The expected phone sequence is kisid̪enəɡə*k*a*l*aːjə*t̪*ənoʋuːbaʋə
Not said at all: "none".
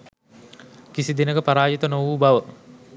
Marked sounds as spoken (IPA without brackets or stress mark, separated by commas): p, ɾ, t̪